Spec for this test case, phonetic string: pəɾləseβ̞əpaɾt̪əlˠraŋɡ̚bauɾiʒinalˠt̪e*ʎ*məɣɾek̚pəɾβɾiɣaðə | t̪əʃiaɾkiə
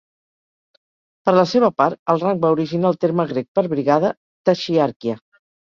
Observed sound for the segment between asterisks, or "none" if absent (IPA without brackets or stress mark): ɾ